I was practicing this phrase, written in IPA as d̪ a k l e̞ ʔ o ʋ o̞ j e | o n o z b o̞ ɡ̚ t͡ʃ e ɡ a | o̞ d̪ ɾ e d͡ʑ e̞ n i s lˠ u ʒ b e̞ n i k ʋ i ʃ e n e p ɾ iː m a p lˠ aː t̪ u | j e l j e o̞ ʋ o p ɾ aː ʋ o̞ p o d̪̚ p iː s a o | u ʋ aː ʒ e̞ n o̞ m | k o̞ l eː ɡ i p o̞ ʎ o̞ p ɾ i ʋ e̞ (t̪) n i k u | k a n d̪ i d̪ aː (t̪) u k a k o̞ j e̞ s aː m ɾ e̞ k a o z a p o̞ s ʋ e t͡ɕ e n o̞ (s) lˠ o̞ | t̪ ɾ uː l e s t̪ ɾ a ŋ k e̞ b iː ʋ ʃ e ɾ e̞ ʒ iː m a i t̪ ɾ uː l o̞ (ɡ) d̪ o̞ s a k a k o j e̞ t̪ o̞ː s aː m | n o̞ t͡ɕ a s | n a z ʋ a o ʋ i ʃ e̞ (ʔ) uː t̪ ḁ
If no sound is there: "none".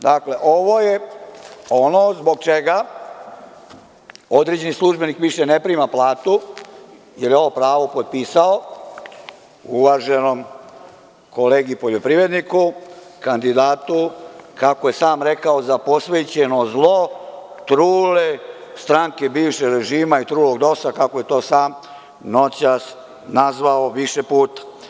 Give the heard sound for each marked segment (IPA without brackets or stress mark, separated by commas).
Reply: d̪, t̪, z, ɡ, p